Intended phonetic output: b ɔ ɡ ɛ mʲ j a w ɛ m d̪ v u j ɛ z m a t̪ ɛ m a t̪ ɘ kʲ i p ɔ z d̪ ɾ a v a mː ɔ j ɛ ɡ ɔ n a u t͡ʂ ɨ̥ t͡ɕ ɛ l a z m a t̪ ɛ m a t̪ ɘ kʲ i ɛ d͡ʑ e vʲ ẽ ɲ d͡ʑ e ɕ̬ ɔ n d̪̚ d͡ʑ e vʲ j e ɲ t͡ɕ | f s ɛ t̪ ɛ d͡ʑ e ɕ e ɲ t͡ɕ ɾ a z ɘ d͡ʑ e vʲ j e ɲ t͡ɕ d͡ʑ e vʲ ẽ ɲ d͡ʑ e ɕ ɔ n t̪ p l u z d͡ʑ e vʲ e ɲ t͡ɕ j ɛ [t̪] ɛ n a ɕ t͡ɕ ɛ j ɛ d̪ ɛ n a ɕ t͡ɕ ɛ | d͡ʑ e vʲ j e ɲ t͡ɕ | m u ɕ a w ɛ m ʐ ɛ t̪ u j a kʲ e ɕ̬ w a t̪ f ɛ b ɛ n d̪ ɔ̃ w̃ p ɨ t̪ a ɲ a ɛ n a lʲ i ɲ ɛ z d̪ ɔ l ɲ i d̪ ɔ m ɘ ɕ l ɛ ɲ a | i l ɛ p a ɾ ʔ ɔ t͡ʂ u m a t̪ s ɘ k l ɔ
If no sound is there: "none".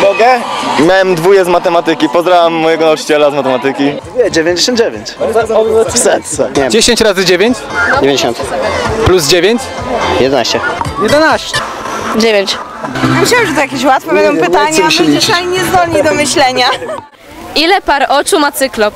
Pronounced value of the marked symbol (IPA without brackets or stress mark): d̪